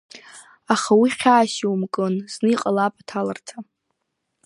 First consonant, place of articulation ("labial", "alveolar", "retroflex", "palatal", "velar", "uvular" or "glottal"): uvular